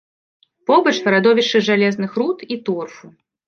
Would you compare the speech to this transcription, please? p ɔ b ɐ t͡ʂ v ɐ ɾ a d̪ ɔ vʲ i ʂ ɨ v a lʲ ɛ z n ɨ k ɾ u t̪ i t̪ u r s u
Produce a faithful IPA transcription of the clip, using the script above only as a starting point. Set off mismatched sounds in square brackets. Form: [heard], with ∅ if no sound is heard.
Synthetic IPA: p ɔ b ɐ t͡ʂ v ɐ ɾ a d̪ ɔ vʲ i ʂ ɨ [ʐ] a lʲ ɛ z n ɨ [x] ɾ u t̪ i t̪ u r [f] u

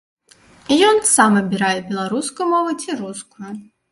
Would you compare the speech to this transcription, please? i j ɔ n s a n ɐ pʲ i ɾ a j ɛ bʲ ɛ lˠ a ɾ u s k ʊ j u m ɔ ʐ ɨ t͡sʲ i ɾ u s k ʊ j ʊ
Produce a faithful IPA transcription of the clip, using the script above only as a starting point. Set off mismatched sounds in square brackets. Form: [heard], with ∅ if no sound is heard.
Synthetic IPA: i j ɔ n s a [m] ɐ [bʲ] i ɾ a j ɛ bʲ ɛ lˠ a ɾ u s k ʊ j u m ɔ [v] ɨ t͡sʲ i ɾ u s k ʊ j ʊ

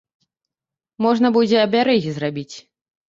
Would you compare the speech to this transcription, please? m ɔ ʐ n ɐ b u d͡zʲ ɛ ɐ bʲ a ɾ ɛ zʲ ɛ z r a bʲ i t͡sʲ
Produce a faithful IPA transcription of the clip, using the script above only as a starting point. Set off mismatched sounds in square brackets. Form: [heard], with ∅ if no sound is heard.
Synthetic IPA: m ɔ ʐ n ɐ b u d͡zʲ ɛ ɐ bʲ a ɾ ɛ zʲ [i] z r a bʲ i t͡sʲ

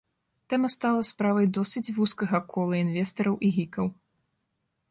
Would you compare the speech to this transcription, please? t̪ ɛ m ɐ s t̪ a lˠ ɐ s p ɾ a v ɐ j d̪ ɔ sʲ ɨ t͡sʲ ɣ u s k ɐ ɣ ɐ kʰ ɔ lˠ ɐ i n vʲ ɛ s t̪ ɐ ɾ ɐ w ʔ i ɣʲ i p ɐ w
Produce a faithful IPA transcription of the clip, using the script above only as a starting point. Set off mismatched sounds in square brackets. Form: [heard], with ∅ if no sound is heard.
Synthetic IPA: t̪ ɛ m ɐ s t̪ a lˠ ɐ s p ɾ a v ɐ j d̪ ɔ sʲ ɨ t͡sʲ [v] u s k ɐ ɣ ɐ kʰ ɔ lˠ ɐ i n vʲ ɛ s t̪ ɐ ɾ ɐ w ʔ i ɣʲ i [k] ɐ w

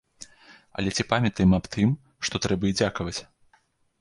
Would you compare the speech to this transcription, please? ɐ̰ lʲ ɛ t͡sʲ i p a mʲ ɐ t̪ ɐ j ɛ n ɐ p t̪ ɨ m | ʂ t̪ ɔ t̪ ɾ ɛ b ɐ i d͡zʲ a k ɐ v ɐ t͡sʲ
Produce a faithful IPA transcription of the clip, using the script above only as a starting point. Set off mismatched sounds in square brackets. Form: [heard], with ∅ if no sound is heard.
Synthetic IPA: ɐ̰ lʲ ɛ t͡sʲ i p a mʲ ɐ t̪ ɐ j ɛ [m] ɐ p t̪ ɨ m | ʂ t̪ ɔ t̪ ɾ ɛ b ɐ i d͡zʲ a k ɐ v ɐ t͡sʲ

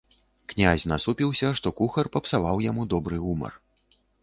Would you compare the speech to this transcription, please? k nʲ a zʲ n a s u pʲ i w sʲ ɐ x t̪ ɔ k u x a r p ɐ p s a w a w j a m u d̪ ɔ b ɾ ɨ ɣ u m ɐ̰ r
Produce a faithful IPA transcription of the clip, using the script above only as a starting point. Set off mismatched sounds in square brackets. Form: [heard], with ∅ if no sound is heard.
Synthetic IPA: k nʲ a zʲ n a s u pʲ i w sʲ ɐ [ʂ] t̪ ɔ k u x [ɐ] r p ɐ p s a [v] a w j a m u d̪ ɔ b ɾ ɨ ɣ u m ɐ̰ r

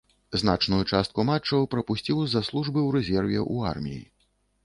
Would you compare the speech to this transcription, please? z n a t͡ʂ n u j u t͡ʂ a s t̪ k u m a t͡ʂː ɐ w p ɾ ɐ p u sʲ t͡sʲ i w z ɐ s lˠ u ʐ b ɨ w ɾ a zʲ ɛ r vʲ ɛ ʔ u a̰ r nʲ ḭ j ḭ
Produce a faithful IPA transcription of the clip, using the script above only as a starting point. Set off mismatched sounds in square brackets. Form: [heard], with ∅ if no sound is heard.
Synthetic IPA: z n a t͡ʂ n u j u t͡ʂ a s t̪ k u m a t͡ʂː ɐ w p ɾ ɐ p u sʲ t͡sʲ i w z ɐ s lˠ u ʐ b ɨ w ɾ [ɛ] zʲ ɛ r vʲ ɛ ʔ u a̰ r [mʲ] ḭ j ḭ

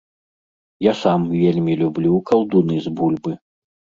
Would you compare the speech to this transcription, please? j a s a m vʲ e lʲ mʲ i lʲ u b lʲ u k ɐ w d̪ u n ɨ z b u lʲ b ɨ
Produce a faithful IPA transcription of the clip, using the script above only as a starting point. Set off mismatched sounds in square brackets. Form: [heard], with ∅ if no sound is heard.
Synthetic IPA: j a s a m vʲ e lʲ mʲ i lʲ u b lʲ u k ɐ w d̪ u n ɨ z b u lʲ b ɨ

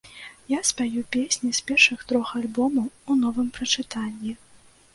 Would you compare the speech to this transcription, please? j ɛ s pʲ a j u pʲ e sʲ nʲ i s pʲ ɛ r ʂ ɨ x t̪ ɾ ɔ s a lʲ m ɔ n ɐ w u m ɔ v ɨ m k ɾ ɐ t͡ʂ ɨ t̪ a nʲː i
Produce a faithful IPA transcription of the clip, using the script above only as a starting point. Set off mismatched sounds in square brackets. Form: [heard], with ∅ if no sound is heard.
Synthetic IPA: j [a] s pʲ a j u pʲ e sʲ nʲ i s pʲ ɛ r ʂ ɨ x t̪ ɾ ɔ [x] a lʲ [b] ɔ [m] ɐ w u [n] ɔ v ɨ m [p] ɾ ɐ t͡ʂ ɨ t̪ a nʲː i

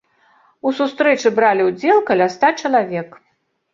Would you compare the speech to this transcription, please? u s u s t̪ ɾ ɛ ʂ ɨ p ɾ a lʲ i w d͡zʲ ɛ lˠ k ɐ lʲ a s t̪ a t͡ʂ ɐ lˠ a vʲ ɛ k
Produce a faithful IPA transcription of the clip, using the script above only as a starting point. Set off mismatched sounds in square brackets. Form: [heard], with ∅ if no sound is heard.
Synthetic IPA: u s u s t̪ ɾ ɛ [t͡ʂ] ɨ [b] ɾ a lʲ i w d͡zʲ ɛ lˠ k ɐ lʲ a s t̪ a t͡ʂ ɐ lˠ a vʲ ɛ k

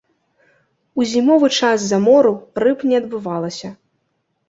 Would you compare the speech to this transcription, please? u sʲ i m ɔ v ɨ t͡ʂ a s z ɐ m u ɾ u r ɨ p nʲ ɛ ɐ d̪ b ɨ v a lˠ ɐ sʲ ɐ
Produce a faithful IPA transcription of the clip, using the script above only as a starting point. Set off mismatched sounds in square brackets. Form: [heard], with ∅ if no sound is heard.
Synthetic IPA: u [zʲ] i m ɔ v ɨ t͡ʂ a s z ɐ m [ɔ] ɾ u r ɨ p nʲ ɛ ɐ d̪ b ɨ v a lˠ ɐ sʲ ɐ

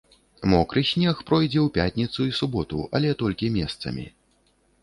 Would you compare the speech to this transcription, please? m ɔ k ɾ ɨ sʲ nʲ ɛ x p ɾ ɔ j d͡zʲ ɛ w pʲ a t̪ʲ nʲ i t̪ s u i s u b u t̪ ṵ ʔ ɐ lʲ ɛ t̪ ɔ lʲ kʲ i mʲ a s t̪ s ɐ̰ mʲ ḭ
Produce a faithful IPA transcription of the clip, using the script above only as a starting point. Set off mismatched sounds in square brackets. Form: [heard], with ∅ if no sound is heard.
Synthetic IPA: m ɔ k ɾ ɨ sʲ nʲ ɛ x p ɾ ɔ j d͡zʲ ɛ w pʲ a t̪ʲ nʲ i t̪ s u i s u b [ɔ] t̪ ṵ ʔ ɐ lʲ ɛ t̪ ɔ lʲ kʲ i mʲ [ɛ] s t̪ s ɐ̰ mʲ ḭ

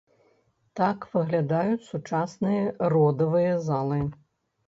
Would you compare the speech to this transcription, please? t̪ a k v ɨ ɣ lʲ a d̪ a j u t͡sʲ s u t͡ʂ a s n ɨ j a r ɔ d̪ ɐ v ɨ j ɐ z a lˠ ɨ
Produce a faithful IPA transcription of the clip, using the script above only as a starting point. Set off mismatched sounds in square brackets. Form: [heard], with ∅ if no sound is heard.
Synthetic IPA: t̪ a k v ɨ ɣ lʲ a d̪ a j u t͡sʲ s u t͡ʂ a s n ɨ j [ɐ] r ɔ d̪ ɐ v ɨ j ɐ z a lˠ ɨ

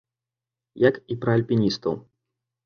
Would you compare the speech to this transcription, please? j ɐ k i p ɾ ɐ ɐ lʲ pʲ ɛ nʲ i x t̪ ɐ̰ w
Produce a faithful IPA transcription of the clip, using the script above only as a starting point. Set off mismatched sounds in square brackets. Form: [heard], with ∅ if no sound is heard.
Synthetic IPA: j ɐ k i p ɾ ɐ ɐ lʲ pʲ [i] nʲ i [s] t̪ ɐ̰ w

